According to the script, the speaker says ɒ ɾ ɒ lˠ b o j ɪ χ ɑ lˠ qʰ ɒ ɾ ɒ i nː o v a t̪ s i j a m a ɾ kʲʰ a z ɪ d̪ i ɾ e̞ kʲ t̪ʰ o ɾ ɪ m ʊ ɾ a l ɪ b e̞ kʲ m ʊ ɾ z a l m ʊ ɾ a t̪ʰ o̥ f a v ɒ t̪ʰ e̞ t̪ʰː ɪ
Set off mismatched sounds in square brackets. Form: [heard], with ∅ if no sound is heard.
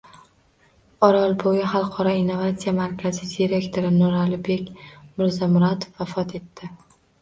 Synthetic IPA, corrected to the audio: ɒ ɾ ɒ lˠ b o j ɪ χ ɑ lˠ qʰ ɒ ɾ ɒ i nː o v a t̪ s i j a m a ɾ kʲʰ a z ɪ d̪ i ɾ e̞ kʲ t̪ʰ o ɾ ɪ [n] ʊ ɾ a l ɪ b e̞ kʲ m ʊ ɾ z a [∅] m ʊ ɾ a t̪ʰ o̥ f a [f] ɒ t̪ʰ e̞ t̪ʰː ɪ